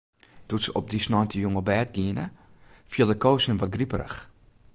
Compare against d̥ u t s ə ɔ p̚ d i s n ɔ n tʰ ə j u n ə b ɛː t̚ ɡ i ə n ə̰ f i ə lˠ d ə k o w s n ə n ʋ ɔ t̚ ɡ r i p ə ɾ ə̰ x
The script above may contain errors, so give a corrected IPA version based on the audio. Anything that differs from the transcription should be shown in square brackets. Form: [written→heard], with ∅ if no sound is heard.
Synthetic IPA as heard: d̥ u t s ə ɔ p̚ d i s n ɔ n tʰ ə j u [n→ŋ] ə b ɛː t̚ ɡ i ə n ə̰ f i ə lˠ d ə k o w s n ə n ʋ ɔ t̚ ɡ r i p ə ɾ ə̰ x